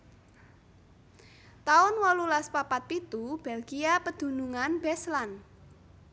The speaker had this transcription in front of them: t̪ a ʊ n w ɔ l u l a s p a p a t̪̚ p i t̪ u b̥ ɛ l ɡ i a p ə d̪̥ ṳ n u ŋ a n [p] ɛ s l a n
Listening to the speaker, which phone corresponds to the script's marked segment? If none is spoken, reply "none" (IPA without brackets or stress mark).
b